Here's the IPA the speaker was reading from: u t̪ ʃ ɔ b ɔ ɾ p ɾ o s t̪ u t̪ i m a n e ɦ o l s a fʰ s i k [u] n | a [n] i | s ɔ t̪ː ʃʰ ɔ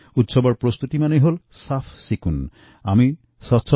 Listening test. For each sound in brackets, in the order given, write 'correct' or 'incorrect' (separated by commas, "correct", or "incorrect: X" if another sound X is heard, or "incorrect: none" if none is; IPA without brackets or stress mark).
correct, incorrect: m